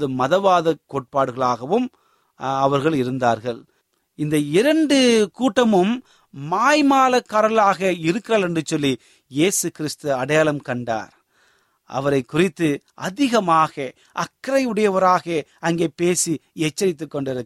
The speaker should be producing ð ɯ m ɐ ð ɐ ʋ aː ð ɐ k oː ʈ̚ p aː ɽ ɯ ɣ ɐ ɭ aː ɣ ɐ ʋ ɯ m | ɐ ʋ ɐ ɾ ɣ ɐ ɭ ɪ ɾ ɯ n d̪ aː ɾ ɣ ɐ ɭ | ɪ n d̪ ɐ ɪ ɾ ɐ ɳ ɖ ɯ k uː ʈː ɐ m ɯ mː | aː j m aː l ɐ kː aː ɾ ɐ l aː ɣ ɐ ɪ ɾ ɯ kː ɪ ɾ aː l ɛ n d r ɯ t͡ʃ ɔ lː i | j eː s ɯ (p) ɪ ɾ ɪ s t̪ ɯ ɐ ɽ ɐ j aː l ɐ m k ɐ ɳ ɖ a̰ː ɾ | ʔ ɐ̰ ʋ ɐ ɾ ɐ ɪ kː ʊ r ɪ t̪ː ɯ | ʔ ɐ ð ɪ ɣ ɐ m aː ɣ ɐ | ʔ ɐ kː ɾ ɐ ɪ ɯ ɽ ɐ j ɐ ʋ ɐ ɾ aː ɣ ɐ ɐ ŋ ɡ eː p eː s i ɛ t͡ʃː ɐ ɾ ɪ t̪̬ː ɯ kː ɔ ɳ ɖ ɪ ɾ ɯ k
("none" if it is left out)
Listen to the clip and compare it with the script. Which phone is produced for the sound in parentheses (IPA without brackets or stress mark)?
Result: k